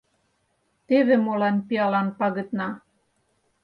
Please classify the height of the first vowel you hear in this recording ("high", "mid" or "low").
mid